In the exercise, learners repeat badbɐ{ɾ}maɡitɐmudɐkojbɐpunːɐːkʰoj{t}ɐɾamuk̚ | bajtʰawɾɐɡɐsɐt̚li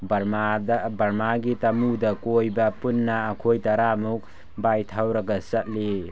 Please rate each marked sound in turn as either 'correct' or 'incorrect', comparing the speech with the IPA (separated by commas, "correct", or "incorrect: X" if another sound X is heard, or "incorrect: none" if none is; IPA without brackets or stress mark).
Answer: correct, correct